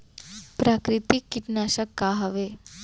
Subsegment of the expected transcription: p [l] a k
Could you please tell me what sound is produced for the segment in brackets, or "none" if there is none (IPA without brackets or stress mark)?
ɾ